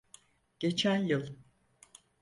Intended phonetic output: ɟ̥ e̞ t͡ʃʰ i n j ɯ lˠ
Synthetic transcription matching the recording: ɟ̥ e̞ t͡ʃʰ æ n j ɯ lˠ

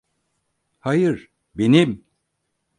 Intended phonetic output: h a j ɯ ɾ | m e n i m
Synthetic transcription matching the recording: h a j ɯ ɾ | b e n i m

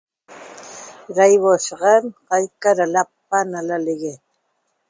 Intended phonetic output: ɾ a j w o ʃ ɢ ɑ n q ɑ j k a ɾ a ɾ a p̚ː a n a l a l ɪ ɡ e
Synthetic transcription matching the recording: ɾ a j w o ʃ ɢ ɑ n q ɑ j k a ɾ a l a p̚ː a n a l a l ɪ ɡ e

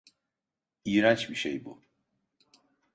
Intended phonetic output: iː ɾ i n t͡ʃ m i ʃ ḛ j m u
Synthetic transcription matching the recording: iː ɾ a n t͡ʃ b i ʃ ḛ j b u

